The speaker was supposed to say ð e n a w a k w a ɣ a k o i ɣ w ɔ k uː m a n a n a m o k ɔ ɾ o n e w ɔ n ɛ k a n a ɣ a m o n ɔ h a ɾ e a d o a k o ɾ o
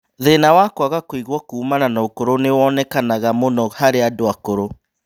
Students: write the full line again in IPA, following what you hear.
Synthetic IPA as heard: ð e n a w a k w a ɣ a k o i ɣ w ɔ k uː m a n a n a o k o ɾ o n e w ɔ n ɛ k a n a ɣ a m o n ɔ h a ɾ e a d o a k o ɾ o